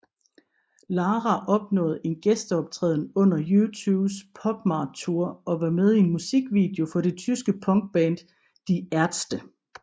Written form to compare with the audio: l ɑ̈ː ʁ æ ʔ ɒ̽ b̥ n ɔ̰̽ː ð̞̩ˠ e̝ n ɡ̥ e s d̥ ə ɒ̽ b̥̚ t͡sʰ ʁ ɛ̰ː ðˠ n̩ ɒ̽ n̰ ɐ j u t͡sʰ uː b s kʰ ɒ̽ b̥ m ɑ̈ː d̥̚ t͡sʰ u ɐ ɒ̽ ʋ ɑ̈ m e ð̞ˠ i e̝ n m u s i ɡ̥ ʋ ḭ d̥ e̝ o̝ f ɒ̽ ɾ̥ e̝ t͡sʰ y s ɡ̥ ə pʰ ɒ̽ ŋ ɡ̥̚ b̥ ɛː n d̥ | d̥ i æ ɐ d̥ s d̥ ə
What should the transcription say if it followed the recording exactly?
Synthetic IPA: l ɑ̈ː ʁ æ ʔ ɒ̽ b̥ n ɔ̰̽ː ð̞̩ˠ e̝ n ɡ̥ e s d̥ ə ɒ̽ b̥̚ t͡sʰ ʁ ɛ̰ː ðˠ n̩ ɔ̽ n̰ ɐ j u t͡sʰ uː b s pʰ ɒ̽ b̥ m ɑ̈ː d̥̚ t͡sʰ u ɐ ɒ̽ ʋ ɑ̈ m e ð̞ˠ i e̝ n m u s i ɡ̥ ʋ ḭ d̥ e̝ o̝ f ɒ̽ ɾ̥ e̝ t͡sʰ y s ɡ̥ ə pʰ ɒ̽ ŋ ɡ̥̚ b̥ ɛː n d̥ | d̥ i æ ɐ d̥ s d̥ ə